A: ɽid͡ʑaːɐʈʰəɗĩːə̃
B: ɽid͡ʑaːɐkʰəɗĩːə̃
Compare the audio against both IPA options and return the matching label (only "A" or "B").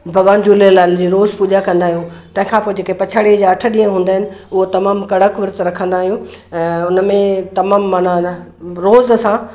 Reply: A